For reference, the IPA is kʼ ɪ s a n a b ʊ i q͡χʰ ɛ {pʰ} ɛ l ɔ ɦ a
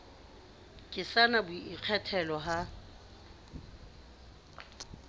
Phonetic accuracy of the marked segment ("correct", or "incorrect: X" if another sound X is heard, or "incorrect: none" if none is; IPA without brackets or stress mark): incorrect: tʰ